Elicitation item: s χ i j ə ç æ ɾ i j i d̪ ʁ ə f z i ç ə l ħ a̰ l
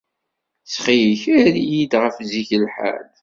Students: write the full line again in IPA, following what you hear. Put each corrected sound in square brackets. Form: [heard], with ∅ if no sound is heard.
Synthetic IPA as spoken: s χ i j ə ç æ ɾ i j i d̪ ʁ ə f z i ç ə l ħ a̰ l